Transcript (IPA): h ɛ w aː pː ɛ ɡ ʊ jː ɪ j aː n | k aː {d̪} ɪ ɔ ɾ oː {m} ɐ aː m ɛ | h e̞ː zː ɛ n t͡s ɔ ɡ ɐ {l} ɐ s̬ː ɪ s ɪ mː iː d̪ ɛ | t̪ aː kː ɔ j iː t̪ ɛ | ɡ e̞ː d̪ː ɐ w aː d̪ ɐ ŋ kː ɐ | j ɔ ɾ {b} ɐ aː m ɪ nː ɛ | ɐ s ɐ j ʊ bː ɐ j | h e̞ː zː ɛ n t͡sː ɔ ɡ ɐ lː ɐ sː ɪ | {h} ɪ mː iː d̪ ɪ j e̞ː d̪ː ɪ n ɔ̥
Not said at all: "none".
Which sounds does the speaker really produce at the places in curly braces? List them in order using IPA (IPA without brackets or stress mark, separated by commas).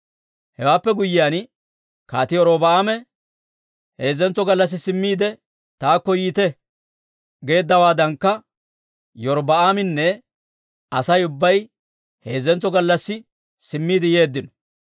t̪, b, lː, b, s